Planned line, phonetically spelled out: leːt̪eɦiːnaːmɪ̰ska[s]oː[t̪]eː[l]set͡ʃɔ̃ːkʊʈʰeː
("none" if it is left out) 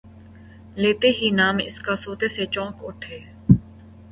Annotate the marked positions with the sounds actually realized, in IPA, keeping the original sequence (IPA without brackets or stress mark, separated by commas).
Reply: s, t̪, none